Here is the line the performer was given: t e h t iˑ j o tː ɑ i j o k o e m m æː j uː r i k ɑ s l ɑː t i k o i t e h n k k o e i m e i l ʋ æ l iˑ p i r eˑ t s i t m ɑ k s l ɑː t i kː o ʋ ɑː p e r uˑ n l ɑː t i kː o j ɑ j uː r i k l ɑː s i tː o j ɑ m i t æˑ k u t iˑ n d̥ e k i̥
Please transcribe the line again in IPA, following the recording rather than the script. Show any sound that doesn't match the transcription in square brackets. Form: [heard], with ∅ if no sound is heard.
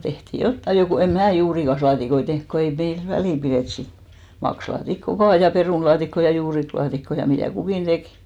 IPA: t e h t iˑ j o tː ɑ i j o k o e m m æː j uː r i k ɑ s l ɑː t i k o i t e h n k k o e i m e i l ʋ æ l iˑ p i r eˑ t s i t m ɑ k s l ɑː t i kː o ʋ ɑː p e r uˑ n l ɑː t i kː o j ɑ j uː r i k l ɑː [t] i [kː] o j ɑ m i t æˑ k u [k] iˑ n d̥ e k i̥